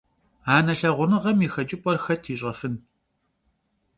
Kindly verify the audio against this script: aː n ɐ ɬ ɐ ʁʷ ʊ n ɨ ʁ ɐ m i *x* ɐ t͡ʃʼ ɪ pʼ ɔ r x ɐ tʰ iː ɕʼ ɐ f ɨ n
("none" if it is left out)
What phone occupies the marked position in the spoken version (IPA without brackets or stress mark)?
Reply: x